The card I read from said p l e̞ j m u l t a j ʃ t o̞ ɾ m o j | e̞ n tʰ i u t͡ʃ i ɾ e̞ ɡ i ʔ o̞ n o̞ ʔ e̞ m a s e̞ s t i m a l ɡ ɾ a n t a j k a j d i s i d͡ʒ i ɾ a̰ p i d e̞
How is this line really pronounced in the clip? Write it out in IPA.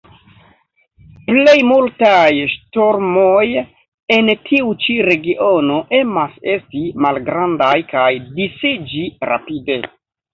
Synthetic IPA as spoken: p l e̞ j m u l t a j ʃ t o̞ ɾ m o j | e̞ n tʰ i u t͡ʃ i ɾ e̞ ɡ i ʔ o̞ n o̞ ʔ e̞ m a s e̞ s t i m a l ɡ ɾ a n d a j k a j d i s i d͡ʒ i ɾ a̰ p i d e̞

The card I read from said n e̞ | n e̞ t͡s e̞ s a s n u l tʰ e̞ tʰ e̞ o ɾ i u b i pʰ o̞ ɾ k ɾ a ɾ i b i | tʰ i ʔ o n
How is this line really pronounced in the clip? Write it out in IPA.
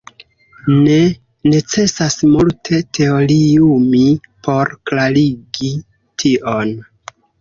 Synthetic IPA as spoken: n e̞ | n e̞ t͡s e̞ s a s m u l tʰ e̞ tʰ e̞ o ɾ i u m i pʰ o̞ ɾ k l a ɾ i ɡ i | tʰ i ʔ o n

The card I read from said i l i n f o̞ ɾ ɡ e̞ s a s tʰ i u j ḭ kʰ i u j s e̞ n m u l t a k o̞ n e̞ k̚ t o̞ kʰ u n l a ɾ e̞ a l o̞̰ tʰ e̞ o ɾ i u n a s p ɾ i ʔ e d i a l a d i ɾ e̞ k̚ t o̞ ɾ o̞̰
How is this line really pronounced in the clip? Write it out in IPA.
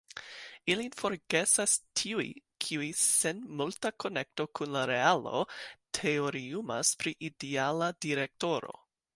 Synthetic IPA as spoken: i l i n f o̞ ɾ ɡ e̞ s a s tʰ i u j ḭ kʰ i u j s e̞ n m u l t a k o̞ n e̞ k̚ t o̞ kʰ u n l a ɾ e̞ a l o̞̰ tʰ e̞ o ɾ i u m a s p ɾ i ʔ i d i a l a d i ɾ e̞ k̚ t o̞ ɾ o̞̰

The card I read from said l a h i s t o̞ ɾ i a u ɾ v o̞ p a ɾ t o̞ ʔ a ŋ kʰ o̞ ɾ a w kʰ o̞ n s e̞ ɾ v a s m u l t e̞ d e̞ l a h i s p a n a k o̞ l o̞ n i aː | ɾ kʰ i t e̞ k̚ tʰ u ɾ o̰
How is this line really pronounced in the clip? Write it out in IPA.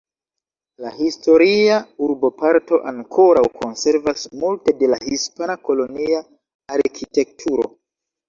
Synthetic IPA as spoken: l a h i s t o̞ ɾ i a u ɾ b o̞ p a ɾ t o̞ ʔ a ŋ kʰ o̞ ɾ a w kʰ o̞ n s e̞ ɾ v a s m u l t e̞ d e̞ l a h i s p a n a k o̞ l o̞ n i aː | ɾ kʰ i t e̞ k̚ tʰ u ɾ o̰

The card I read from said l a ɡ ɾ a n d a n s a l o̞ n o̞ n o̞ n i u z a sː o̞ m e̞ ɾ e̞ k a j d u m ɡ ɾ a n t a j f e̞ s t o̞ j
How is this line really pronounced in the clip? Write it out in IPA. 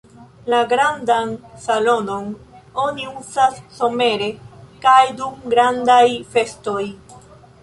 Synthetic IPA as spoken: l a ɡ ɾ a n d a n s a l o̞ n o̞ n o̞ n i u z a sː o̞ m e̞ ɾ e̞ k a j d u m ɡ ɾ a n d a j f e̞ s t o̞ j

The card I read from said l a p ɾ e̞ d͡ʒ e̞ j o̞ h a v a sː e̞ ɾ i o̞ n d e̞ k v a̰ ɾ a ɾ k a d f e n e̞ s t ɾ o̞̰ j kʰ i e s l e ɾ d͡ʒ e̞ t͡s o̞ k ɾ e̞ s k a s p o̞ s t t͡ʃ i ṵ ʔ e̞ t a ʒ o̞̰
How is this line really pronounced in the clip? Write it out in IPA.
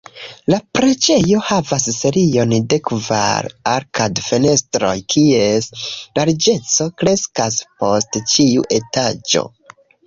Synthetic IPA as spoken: l a p ɾ e̞ d͡ʒ e̞ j o̞ h a v a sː e̞ ɾ i o̞ n d e̞ k v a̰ ɾ a ɾ k a d f e n e̞ s t ɾ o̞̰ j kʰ i e s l a ɾ d͡ʒ e̞ t͡s o̞ k ɾ e̞ s k a s p o̞ s t t͡ʃ i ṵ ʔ e̞ t a d͡ʒ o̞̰

